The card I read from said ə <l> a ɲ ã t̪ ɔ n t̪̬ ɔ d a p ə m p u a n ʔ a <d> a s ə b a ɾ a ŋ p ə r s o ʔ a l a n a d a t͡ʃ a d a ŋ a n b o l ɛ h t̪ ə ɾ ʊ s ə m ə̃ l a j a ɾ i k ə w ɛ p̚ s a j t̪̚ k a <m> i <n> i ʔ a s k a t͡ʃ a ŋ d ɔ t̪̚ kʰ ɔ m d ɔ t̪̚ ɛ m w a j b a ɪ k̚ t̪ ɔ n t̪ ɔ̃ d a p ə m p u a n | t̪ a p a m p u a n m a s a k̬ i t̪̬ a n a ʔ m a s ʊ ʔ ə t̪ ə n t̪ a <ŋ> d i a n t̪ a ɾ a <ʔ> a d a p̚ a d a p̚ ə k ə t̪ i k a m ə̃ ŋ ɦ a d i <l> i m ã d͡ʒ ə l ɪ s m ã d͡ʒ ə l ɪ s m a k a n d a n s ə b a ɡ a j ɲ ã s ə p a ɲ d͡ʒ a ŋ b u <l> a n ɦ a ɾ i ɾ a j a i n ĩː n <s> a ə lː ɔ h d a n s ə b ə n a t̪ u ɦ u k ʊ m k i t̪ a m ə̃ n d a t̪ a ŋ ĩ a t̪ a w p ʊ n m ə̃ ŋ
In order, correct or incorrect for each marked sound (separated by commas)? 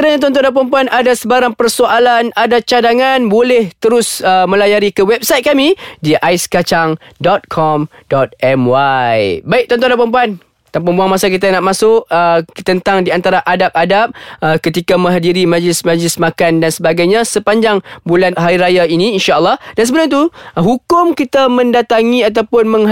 incorrect, correct, correct, incorrect, correct, correct, incorrect, correct, incorrect